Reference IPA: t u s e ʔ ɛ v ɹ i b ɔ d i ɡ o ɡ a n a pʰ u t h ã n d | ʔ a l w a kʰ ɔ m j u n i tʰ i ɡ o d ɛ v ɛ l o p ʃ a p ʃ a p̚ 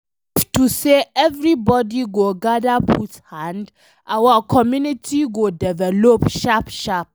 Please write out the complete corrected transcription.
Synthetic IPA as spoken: t u s e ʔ ɛ v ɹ i b ɔ d i ɡ o ɡ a d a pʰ u t h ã n d | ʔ a w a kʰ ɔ m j u n i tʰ i ɡ o d ɛ v ɛ l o p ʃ a p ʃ a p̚